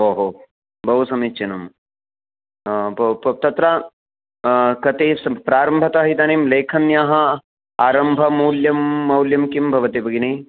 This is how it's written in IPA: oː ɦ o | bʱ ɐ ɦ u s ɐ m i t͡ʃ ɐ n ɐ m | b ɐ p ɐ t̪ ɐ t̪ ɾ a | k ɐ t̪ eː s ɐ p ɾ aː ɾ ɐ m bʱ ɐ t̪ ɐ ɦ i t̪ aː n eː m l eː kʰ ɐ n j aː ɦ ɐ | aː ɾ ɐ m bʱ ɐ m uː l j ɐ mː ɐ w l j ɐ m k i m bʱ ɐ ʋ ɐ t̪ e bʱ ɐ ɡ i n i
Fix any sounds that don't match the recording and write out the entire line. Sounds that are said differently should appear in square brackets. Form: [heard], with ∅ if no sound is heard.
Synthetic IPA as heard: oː ɦ o | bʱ ɐ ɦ u s ɐ m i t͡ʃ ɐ n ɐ m | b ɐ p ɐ t̪ ɐ t̪ ɾ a | k ɐ t̪ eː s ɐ p ɾ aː ɾ ɐ m bʱ ɐ t̪ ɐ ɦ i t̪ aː n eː m l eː kʰ ɐ n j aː ɦ ɐ | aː ɾ ɐ m bʱ ɐ m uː l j ɐ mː ɐ w l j ɐ m k i m bʱ ɐ ʋ ɐ t̪ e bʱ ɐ ɡ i n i